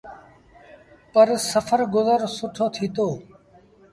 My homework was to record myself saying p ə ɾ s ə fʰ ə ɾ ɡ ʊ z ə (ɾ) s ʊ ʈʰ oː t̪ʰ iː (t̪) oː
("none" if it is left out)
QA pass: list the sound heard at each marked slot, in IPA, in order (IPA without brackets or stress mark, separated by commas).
ɾ, t̪